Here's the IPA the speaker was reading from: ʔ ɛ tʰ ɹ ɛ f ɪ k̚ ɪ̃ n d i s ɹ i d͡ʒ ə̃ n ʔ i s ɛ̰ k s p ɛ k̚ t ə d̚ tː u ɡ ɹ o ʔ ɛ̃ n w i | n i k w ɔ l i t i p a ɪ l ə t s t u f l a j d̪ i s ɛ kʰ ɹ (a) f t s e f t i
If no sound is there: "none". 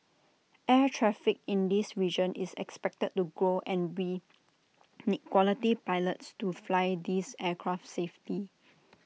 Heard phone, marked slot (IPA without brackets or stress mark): a